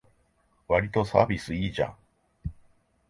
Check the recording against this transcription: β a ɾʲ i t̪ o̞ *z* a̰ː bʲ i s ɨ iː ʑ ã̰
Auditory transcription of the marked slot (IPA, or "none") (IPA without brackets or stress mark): s